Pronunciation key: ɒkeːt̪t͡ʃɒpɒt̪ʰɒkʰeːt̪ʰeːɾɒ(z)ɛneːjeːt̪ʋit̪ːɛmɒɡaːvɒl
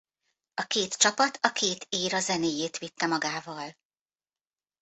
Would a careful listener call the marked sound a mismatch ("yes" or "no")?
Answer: no